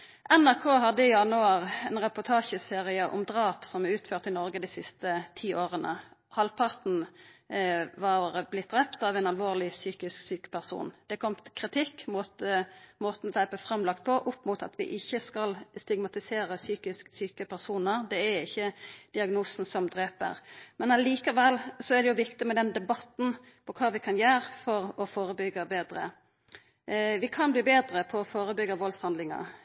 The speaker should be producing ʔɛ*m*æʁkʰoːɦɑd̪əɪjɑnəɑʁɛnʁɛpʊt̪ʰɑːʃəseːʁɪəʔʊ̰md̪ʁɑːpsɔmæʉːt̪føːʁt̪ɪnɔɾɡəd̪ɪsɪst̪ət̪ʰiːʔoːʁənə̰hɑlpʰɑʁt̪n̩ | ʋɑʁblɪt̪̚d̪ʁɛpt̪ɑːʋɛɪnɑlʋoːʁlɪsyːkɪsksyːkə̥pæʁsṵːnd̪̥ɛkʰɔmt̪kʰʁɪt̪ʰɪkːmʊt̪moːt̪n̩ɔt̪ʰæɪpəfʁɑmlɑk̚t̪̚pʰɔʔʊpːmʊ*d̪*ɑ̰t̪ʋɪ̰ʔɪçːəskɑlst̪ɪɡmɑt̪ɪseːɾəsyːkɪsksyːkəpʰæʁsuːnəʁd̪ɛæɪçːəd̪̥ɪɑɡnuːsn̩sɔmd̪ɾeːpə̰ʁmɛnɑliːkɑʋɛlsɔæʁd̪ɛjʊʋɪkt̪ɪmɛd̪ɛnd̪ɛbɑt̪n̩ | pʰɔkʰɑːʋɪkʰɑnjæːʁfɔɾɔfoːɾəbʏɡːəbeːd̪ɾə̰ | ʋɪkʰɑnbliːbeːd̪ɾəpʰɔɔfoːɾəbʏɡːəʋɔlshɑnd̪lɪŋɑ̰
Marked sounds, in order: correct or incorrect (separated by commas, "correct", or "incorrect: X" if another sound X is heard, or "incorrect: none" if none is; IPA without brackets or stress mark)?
incorrect: n, incorrect: t̪